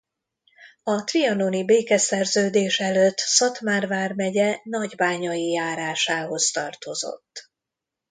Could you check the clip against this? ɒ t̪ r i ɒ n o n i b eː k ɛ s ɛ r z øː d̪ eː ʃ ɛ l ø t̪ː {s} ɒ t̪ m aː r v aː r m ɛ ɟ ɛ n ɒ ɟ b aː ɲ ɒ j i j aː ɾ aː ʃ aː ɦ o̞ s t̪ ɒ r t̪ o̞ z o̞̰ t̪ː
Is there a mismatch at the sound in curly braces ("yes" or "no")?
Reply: no